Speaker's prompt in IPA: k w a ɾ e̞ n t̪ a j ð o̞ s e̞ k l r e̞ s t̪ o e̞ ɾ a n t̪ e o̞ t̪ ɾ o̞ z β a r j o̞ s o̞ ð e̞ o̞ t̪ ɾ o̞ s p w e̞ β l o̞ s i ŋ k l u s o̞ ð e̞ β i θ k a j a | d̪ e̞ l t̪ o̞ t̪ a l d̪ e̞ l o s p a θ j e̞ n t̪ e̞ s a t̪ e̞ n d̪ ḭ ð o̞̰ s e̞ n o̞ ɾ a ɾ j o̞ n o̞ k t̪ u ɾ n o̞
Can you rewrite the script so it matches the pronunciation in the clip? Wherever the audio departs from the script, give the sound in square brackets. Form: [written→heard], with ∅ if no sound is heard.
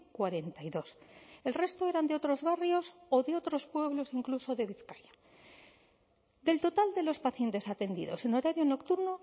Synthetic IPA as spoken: k w a ɾ e̞ n t̪ a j ð o̞ s e̞ [k→∅] l r e̞ s t̪ o e̞ ɾ a n [t̪→d̪] e o̞ t̪ ɾ o̞ z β a r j o̞ s o̞ ð e̞ o̞ t̪ ɾ o̞ s p w e̞ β l o̞ s i ŋ k l u s o̞ ð e̞ β i θ k a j a | d̪ e̞ l t̪ o̞ t̪ a l d̪ e̞ l o s p a θ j e̞ n t̪ e̞ s a t̪ e̞ n d̪ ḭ ð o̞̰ s e̞ n o̞ ɾ a ɾ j o̞ n o̞ k t̪ u ɾ n o̞